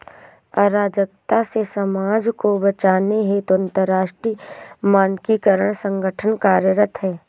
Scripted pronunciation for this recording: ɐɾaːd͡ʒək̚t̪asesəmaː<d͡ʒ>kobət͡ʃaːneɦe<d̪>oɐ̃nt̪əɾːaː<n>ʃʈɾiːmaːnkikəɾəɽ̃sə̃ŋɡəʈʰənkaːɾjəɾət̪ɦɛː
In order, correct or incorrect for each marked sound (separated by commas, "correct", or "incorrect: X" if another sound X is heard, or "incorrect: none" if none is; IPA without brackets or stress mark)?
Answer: correct, incorrect: t̪, incorrect: none